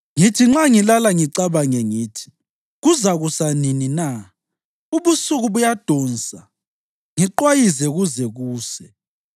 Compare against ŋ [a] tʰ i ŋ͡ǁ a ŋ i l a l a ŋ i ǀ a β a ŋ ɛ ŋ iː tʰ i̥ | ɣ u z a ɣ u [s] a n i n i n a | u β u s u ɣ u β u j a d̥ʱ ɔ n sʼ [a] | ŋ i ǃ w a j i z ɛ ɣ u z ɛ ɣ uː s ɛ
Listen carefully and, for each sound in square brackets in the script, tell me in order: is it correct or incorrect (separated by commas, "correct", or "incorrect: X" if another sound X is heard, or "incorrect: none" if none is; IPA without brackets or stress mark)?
incorrect: i, correct, correct